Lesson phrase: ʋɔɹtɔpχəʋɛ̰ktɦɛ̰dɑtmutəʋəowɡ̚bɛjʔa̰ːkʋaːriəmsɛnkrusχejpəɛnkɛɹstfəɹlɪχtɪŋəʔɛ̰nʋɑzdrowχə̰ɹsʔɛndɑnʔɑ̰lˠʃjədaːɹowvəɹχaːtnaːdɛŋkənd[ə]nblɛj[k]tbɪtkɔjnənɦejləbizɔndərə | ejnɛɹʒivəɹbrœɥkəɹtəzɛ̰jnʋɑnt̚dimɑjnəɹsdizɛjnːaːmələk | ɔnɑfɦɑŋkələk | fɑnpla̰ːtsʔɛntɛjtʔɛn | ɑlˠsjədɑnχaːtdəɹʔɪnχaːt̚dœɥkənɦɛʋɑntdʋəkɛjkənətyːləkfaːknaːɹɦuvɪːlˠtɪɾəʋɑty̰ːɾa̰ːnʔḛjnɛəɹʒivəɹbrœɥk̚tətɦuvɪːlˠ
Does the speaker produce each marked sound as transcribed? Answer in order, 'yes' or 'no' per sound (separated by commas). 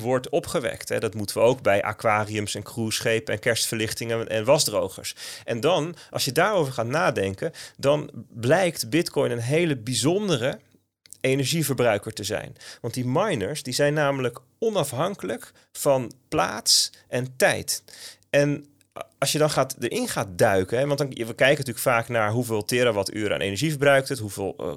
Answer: no, yes